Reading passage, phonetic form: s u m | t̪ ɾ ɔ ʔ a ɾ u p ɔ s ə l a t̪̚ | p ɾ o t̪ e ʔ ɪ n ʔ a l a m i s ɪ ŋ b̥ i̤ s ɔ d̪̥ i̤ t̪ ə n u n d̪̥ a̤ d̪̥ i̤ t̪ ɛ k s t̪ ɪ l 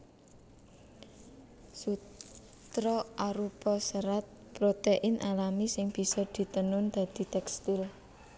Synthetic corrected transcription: s u | t̪ ɾ ɔ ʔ a ɾ u p ɔ s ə ɾ a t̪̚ | p ɾ o t̪ e ʔ ɪ n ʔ a l a m i s ɪ ŋ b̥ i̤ s ɔ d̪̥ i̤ t̪ ə n ʊ n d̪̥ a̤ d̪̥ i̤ t̪ ɛ k s t̪ ɪ l

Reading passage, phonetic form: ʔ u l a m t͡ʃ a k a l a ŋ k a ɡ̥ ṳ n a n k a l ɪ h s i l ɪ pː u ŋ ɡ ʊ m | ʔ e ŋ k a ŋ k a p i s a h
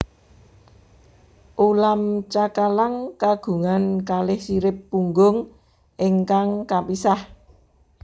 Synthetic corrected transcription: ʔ u l a m t͡ʃ a k a l a ŋ k a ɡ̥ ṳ ŋ a n k a l ɪ h s i ɾ ɪ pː u ŋ ɡ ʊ ŋ | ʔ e ŋ k a ŋ k a p i s a h

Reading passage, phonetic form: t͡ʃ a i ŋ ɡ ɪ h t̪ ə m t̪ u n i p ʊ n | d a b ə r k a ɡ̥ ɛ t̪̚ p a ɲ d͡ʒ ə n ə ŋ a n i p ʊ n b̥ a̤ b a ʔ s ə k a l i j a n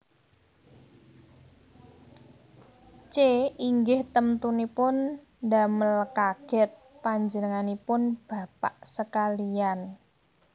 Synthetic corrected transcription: t͡ʃ e i ŋ ɡ ɪ h t̪ ə m t̪ u n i p ʊ n | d a m ə l k a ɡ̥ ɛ t̪̚ p a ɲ d͡ʒ ə n ə ŋ a n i p ʊ n b̥ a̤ p a ʔ s ə k a l i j a n

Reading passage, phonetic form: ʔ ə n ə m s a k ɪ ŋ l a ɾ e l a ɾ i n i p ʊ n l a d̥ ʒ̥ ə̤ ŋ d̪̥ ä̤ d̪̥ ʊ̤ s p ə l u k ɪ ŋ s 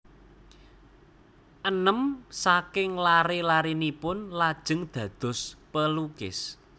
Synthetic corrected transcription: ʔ ə n ə m s a k ɪ ŋ l a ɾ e l a ɾ i n i p ʊ n l a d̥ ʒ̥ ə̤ ŋ d̪̥ ä̤ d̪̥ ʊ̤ s p ə l u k ɪ s

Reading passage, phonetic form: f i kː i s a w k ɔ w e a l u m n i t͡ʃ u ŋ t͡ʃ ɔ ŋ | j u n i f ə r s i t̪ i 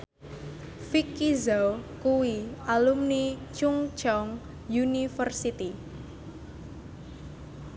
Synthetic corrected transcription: f i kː i z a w k u w i a l u m n i t͡ʃ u ŋ t͡ʃ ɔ ŋ | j u n i f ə r s i t̪ i

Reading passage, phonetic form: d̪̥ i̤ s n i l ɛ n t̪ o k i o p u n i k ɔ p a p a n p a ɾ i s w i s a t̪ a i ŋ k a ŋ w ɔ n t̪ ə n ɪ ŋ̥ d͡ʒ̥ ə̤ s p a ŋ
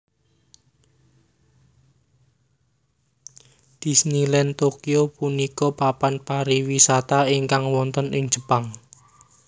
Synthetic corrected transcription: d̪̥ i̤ s n i l ɛ n t̪ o k i o p u n i k ɔ p a p a n p a ɾ i w i s a t̪ a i ŋ k a ŋ w ɔ n t̪ ə n ɪ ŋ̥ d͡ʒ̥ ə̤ p a ŋ

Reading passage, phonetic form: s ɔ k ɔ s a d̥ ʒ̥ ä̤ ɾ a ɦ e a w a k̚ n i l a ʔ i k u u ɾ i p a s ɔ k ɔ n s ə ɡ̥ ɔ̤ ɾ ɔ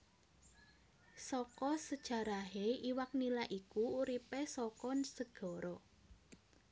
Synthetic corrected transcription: s ɔ k ɔ s ə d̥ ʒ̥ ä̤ ɾ a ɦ e i w a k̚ n i l a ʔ i k u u ɾ i p e s ɔ k ɔ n s ə ɡ̥ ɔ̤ ɾ ɔ

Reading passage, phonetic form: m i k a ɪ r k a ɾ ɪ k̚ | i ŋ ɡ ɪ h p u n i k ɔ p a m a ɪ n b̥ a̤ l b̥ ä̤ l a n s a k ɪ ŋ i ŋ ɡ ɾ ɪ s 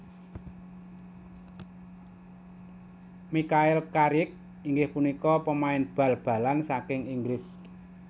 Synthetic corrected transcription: m i k a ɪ l k a ɾ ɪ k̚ | i ŋ ɡ ɪ h p u n i k ɔ p ə m a ɪ n b̥ a̤ l b̥ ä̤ l a n s a k ɪ ŋ i ŋ ɡ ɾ ɪ s

